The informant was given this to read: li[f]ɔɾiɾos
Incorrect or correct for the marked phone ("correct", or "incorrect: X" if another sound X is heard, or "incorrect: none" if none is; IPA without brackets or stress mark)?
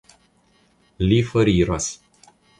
correct